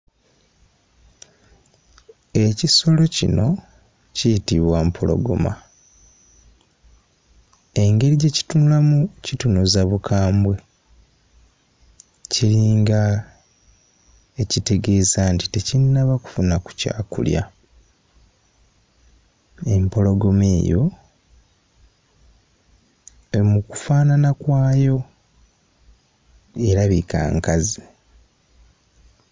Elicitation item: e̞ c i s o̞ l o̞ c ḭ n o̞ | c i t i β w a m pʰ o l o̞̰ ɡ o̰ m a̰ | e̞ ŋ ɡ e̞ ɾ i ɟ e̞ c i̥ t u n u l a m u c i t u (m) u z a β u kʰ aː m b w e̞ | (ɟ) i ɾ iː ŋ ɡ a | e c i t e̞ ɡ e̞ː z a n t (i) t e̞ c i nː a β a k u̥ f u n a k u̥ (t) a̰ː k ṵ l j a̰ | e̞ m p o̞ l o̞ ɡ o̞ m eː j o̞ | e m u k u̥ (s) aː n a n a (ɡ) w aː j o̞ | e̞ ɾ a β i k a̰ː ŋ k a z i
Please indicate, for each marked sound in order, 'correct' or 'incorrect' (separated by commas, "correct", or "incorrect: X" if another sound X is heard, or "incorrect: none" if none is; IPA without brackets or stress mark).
incorrect: n, incorrect: c, correct, incorrect: c, incorrect: f, incorrect: k